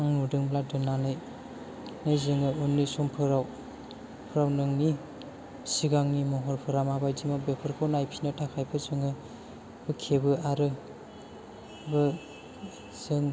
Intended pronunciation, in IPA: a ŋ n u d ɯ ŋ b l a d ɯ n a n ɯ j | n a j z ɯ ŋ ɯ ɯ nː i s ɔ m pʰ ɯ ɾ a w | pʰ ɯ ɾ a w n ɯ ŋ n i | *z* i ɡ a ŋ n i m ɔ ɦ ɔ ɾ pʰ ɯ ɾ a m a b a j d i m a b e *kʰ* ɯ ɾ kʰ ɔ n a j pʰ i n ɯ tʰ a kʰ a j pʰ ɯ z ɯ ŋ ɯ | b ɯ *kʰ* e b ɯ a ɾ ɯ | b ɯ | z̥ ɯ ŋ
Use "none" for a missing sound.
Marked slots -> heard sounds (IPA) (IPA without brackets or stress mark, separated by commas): s, pʰ, kʰ